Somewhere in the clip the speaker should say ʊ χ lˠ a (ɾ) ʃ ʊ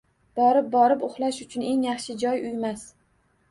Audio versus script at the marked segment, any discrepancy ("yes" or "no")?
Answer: yes